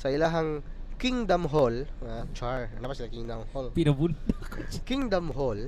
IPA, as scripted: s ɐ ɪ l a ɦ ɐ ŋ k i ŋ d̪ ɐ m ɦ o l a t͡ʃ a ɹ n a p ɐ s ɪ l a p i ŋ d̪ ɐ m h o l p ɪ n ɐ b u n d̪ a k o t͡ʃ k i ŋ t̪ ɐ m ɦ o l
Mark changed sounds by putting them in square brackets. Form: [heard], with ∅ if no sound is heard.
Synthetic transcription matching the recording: s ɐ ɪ l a ɦ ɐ ŋ k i ŋ d̪ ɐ m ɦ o l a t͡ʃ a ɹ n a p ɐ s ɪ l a [k] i ŋ d̪ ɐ m h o l p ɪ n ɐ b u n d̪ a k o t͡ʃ k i ŋ [d̪] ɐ m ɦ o l